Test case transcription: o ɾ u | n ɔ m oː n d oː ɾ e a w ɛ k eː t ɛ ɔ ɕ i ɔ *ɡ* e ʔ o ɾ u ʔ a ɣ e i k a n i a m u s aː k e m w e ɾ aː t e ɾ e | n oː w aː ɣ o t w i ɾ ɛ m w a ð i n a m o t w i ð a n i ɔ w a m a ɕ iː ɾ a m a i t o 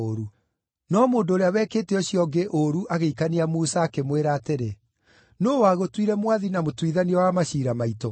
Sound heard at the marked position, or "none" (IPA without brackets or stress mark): ɡ